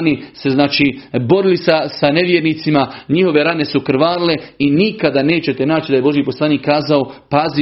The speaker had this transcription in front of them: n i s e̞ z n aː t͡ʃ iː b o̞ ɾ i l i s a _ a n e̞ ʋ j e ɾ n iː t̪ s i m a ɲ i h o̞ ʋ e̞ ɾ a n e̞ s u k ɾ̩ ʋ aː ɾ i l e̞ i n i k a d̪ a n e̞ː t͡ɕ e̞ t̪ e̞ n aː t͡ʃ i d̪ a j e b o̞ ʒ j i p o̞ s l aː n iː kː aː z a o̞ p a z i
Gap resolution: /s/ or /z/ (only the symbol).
s